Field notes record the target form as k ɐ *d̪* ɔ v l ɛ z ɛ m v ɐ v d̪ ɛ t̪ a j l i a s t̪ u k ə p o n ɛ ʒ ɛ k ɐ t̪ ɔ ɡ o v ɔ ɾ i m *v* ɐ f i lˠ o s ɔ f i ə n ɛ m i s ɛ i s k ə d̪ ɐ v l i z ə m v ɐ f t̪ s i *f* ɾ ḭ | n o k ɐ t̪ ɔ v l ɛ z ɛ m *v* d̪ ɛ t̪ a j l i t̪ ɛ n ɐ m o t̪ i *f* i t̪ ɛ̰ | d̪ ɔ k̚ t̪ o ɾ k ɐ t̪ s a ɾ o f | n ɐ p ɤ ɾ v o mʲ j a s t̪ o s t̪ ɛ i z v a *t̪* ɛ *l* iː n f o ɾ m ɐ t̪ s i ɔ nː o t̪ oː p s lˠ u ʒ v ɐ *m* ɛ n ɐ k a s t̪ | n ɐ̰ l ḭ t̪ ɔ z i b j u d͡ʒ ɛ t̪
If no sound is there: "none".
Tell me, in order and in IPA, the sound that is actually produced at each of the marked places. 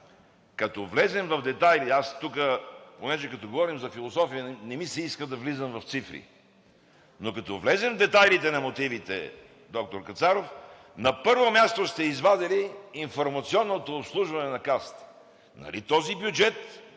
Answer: t̪, z, f, v, v, d̪, l, n

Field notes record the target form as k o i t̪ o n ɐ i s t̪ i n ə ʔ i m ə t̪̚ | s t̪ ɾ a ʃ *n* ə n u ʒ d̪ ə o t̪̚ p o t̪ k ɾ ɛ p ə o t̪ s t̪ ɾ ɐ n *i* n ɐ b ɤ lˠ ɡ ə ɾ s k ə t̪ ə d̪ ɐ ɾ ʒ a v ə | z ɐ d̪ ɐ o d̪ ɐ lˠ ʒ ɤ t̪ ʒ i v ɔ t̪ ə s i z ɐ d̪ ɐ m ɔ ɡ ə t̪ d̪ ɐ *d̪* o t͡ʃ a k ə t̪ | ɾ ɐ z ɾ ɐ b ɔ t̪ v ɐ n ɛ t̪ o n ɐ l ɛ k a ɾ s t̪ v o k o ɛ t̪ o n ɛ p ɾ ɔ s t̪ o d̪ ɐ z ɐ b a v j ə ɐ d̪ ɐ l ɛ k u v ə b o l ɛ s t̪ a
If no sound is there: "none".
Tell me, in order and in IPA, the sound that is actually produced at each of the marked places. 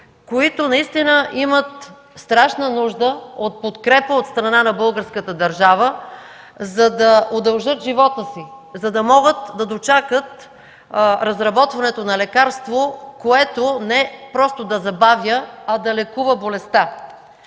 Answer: n, a, d̪

